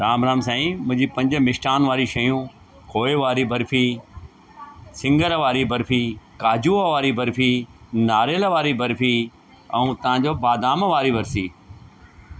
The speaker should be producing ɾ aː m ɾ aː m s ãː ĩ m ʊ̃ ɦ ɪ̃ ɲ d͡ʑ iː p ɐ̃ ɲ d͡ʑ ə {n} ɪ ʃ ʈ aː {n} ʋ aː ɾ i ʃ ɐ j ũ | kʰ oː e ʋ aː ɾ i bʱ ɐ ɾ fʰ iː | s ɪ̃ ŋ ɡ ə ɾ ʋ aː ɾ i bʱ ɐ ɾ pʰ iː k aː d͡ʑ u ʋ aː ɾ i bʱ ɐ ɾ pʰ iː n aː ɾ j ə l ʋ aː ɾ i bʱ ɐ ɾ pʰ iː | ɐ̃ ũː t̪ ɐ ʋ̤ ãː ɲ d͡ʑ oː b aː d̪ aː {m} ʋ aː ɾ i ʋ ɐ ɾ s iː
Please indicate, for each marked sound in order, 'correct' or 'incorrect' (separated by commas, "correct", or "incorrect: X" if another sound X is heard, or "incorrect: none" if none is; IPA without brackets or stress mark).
incorrect: m, correct, correct